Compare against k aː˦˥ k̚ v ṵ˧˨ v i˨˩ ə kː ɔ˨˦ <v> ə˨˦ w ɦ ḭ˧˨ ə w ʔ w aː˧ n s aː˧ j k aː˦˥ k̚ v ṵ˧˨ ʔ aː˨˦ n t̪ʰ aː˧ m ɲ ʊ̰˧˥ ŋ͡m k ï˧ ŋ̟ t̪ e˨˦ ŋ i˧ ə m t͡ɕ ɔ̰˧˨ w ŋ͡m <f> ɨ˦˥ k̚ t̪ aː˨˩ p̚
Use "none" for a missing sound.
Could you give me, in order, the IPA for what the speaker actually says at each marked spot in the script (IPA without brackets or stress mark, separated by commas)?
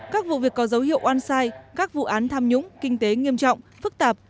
z, f